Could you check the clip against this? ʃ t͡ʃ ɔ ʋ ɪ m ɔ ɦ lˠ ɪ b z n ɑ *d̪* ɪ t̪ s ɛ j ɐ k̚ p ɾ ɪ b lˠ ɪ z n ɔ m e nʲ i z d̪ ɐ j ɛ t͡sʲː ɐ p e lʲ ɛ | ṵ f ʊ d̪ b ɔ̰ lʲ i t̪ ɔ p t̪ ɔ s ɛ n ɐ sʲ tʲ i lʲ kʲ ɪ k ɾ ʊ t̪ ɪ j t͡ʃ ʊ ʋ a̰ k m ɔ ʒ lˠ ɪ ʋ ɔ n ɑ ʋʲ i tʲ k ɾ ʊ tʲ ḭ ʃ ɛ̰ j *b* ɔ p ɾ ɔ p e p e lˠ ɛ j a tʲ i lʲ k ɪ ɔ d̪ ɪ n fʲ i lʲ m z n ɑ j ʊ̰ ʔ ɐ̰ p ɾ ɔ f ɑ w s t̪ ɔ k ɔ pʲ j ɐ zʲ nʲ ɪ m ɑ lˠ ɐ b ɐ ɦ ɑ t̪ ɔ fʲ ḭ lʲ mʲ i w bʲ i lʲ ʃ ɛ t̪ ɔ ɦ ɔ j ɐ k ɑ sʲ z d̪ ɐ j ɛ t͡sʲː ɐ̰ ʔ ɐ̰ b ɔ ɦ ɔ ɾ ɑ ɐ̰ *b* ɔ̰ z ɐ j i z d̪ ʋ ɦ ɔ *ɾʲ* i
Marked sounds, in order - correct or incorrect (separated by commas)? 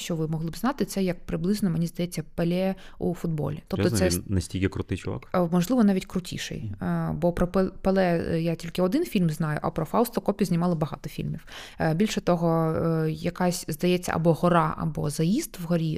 incorrect, correct, correct, correct